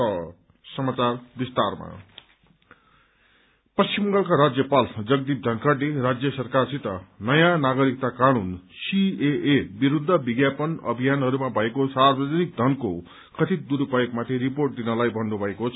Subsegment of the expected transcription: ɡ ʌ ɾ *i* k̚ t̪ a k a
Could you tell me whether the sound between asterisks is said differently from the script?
no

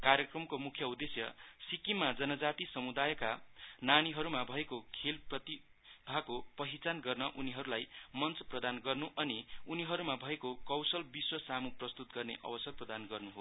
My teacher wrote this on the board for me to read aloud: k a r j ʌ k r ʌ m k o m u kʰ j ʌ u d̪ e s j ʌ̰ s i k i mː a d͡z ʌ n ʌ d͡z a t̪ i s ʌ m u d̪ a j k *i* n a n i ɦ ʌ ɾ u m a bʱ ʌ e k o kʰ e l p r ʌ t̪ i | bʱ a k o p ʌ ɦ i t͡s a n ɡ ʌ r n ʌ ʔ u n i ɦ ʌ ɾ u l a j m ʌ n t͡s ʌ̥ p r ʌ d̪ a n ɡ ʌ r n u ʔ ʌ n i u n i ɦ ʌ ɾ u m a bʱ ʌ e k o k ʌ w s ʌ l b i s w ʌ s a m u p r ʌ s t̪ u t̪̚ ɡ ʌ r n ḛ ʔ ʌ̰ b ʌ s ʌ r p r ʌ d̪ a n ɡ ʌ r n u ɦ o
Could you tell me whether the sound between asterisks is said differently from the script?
yes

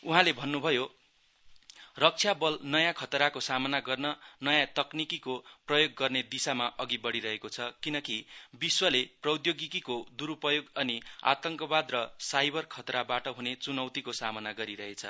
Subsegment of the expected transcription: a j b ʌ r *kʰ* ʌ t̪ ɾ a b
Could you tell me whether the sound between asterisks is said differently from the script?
no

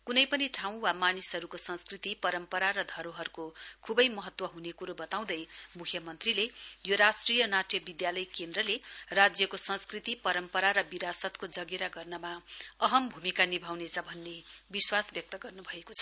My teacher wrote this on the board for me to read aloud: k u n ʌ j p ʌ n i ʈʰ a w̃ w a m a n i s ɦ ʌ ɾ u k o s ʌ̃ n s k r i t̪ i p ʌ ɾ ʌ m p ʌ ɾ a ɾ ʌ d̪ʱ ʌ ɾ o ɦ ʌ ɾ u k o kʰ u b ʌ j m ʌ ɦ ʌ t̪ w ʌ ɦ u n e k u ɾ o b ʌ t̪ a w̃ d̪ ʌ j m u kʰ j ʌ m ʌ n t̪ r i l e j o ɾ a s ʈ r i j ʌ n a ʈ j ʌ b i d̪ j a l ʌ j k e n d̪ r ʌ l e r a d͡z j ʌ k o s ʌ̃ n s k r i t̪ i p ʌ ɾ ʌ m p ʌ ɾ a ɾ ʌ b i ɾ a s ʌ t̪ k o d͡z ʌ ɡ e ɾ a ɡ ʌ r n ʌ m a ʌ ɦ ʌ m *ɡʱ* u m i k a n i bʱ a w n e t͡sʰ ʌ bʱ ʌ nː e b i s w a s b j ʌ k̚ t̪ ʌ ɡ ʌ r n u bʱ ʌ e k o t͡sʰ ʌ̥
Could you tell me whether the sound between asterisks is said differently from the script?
yes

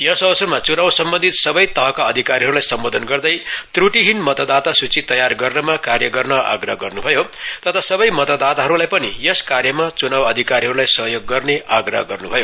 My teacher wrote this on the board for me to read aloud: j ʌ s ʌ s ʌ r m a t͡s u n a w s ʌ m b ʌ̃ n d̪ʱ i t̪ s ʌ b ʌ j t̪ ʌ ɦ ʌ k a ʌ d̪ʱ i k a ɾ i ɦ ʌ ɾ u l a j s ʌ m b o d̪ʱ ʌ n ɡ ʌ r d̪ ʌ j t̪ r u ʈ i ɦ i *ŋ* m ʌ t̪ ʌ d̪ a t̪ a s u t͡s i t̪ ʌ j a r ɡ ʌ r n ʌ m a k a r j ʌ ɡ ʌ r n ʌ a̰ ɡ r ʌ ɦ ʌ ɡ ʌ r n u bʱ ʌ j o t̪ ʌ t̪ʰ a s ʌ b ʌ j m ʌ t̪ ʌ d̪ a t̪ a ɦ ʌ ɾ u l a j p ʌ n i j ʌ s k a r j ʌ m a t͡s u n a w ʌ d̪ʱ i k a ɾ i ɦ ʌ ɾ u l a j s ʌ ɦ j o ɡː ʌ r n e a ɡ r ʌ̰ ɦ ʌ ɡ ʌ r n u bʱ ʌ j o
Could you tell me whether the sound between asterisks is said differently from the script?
yes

